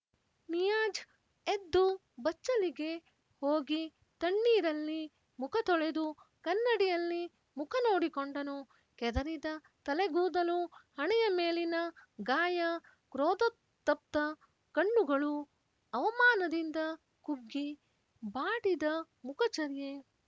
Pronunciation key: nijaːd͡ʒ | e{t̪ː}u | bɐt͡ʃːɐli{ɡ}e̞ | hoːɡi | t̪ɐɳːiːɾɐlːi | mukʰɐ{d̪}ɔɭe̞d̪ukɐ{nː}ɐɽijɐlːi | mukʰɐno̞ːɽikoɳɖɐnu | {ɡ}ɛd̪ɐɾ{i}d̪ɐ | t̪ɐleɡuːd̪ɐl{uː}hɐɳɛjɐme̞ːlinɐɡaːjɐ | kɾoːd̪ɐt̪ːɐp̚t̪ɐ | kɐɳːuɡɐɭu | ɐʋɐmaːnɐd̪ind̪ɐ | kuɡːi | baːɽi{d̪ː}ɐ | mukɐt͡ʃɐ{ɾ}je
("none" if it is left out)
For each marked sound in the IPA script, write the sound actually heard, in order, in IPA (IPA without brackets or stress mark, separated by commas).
d̪ː, ɡ, t̪, nː, k, i, u, d̪, ɾ